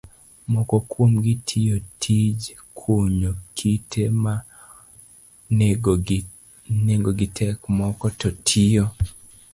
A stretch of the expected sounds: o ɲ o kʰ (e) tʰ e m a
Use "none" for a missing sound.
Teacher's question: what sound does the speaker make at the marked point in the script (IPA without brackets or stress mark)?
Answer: i